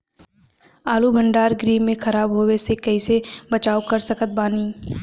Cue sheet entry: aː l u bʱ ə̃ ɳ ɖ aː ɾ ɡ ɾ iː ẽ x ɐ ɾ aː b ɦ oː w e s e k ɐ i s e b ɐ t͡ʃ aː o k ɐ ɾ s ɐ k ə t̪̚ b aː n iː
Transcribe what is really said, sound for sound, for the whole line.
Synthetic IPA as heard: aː l u bʱ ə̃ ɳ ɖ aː ɾ ɡ ɾ iː ẽ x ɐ ɾ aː b ɦ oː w e s e k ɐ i s e b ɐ t͡ʃ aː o k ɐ ɾ s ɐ k ə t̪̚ b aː n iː